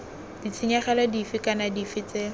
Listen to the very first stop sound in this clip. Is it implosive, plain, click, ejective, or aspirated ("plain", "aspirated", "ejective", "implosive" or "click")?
plain